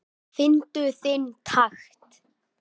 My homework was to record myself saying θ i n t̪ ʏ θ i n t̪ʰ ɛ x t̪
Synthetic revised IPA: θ ɪ n t̪ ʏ θ ɪ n t̪ʰ a x t̪